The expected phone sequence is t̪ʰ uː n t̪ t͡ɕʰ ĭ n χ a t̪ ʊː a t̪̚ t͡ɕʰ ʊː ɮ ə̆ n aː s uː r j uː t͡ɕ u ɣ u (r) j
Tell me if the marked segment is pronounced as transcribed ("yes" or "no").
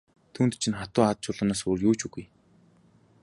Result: no